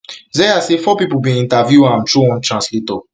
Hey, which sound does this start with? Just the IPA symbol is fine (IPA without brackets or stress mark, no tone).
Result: z